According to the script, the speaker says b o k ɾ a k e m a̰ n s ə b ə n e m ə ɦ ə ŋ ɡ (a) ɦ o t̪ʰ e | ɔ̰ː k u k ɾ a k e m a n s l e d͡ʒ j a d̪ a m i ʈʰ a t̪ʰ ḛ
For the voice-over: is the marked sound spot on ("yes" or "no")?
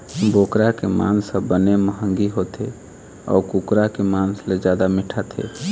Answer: no